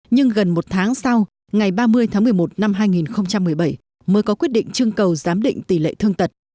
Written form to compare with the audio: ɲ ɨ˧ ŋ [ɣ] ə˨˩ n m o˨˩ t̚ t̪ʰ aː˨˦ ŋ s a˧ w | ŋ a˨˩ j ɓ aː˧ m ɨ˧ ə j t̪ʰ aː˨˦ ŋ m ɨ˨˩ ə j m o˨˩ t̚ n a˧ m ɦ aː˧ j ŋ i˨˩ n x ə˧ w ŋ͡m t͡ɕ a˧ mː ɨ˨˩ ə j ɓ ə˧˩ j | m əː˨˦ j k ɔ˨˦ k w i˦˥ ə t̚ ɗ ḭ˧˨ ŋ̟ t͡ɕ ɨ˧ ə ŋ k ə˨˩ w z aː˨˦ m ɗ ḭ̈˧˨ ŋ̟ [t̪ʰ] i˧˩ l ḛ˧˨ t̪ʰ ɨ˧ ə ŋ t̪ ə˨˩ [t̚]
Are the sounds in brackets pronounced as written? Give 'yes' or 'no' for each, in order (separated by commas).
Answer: yes, no, yes